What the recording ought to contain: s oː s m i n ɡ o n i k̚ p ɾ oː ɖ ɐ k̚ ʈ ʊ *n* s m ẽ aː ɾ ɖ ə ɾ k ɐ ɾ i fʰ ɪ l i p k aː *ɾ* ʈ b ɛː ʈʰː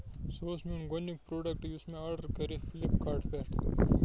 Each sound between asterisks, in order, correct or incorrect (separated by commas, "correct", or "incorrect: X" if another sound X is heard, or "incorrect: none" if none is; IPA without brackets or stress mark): incorrect: none, correct